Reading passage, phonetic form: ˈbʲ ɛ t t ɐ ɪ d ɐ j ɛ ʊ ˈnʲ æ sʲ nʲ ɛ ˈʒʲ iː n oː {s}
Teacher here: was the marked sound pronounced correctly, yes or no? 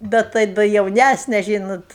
no